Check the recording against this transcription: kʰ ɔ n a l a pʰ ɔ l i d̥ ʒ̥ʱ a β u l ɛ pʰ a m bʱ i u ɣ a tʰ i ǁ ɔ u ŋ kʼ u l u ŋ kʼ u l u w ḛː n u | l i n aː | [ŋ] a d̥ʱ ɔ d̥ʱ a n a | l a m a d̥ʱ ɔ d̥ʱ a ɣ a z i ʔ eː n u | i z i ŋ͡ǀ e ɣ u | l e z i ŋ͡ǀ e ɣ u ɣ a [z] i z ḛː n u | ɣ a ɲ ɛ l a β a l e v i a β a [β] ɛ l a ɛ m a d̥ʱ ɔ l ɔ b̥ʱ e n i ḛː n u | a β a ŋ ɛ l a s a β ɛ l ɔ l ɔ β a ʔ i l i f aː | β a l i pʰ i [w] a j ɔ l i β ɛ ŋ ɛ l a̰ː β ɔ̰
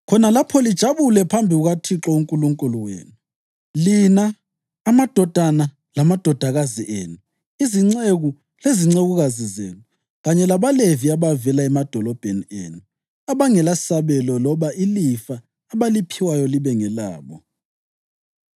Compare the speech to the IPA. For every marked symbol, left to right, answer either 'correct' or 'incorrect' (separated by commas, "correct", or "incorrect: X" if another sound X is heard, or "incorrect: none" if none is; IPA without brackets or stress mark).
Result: incorrect: m, correct, incorrect: v, correct